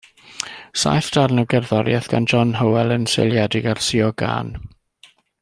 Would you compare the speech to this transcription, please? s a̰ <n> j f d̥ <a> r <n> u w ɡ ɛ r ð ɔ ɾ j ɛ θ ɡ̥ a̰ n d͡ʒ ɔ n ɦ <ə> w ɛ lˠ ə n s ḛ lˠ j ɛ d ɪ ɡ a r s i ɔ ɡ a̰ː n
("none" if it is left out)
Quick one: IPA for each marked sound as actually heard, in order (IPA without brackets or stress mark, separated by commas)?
none, a, n, ə